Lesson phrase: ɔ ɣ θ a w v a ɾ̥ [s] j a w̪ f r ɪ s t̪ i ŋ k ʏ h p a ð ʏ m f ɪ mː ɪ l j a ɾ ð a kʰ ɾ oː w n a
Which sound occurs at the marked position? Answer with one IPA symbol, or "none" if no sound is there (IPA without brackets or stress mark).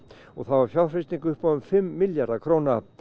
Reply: f